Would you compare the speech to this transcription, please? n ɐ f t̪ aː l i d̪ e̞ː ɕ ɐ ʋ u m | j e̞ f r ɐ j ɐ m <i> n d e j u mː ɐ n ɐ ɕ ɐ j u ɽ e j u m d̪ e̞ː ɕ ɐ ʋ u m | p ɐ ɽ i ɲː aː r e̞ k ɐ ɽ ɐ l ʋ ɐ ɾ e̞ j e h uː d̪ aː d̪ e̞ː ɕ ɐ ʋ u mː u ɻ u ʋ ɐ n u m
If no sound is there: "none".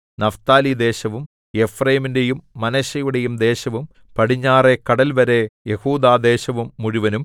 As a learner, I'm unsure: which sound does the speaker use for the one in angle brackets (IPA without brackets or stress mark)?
i